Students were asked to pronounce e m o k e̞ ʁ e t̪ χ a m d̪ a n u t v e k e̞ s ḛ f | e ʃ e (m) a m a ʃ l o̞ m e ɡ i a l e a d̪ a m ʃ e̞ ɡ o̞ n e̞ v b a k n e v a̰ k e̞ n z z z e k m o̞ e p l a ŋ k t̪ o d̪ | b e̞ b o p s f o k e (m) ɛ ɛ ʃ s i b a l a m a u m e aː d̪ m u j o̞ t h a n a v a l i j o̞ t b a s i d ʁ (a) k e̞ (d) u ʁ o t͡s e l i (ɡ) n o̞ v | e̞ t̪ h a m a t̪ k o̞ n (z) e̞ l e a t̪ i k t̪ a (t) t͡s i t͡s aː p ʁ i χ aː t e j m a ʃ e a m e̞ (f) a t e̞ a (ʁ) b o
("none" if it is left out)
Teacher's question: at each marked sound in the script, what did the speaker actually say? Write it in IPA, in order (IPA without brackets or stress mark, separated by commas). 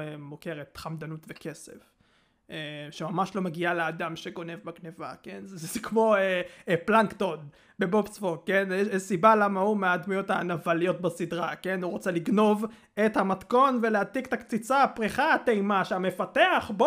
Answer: m, n, a, n, ɡ, v, k, f, χ